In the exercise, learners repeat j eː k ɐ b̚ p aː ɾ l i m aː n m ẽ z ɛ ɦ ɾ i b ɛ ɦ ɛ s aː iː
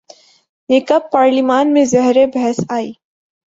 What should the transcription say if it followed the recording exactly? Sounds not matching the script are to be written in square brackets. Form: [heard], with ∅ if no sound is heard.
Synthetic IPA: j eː k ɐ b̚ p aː ɾ l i m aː n m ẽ z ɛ ɦ ɾ [e] b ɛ ɦ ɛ s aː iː